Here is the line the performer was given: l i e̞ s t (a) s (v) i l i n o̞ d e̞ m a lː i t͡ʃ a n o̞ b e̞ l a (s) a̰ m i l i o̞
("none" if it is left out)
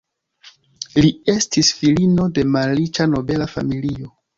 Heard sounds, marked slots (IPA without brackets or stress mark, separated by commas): i, f, f